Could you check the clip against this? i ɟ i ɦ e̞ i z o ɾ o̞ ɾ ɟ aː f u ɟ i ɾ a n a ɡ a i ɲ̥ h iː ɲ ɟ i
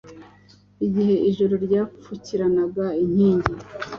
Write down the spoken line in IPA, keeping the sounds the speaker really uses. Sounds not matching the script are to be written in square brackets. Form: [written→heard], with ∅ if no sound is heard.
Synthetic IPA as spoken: i ɟ i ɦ e̞ i [z→ʒ] o ɾ o̞ ɾ ɟ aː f u [ɟ→c] i ɾ a n a ɡ a i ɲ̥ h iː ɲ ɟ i